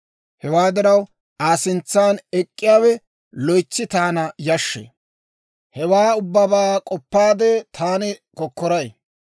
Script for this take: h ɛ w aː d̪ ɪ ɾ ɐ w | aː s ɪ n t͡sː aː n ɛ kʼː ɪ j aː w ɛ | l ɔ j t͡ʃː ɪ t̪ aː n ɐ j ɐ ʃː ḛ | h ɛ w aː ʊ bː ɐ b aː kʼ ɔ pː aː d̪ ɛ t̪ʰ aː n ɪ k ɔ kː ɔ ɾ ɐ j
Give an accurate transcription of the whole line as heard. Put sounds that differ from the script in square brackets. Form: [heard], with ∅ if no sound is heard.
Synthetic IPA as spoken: h ɛ w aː d̪ ɪ ɾ ɐ w | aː s ɪ n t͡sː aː n ɛ kʼː ɪ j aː w ɛ | l ɔ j t͡ʃː ɪ t̪ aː n ɐ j ɐ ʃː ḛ | h ɛ w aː ʊ bː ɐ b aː kʼ ɔ pː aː d̪ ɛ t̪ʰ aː n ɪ k ɔ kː ɔ ɾ ɐ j